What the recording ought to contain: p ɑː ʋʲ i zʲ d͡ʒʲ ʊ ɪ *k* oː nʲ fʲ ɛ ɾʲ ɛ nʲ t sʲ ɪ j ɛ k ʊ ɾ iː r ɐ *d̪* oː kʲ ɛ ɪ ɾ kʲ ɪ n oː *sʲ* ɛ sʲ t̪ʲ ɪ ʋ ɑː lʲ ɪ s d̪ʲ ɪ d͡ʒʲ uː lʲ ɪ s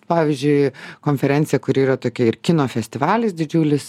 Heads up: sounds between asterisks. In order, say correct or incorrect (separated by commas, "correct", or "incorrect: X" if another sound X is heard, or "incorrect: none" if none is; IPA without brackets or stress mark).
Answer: correct, incorrect: t̪, incorrect: fʲ